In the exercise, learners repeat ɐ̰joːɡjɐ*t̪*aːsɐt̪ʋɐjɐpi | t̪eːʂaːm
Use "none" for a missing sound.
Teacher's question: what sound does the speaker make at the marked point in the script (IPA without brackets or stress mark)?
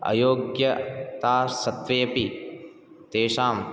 t̪